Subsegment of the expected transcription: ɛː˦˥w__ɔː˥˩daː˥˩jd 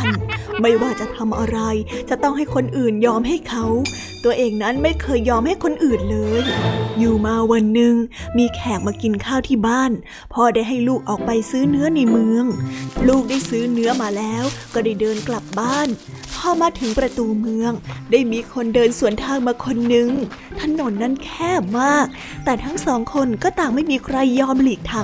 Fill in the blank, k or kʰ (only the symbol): k